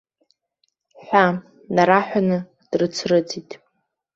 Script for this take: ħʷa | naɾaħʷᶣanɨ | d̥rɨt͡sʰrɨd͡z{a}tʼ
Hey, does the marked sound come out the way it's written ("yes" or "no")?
no